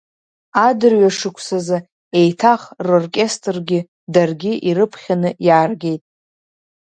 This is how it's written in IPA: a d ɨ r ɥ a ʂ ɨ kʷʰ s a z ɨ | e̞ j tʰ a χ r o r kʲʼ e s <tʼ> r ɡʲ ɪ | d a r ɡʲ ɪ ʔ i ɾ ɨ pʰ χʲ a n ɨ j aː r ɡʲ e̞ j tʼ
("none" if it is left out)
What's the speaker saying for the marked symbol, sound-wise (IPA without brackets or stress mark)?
tʼ